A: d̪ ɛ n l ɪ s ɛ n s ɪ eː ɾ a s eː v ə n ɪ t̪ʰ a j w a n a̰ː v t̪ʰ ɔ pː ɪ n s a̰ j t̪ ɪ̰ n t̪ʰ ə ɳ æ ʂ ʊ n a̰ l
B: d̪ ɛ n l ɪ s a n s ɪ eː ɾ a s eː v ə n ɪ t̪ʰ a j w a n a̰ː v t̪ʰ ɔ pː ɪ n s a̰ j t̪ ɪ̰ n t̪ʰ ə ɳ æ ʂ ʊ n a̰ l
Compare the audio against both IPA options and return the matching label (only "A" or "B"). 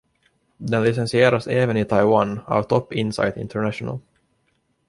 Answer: A